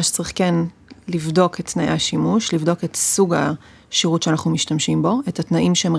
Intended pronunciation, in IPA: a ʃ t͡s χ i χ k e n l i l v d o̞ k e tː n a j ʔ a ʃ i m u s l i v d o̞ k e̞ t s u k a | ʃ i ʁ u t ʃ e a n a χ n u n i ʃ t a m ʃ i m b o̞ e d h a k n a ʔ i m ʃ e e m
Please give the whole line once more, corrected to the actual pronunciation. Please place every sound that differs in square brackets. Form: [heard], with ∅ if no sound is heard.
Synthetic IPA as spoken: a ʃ t͡s [ʁ] i χ k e n l i [∅] v d o̞ k e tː n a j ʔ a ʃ i m u [ʃ] l i v d o̞ k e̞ t s u [ɡ] a | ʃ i ʁ u t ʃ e a n a χ n u [m] i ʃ t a m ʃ i m b o̞ e [t] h a [t] n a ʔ i m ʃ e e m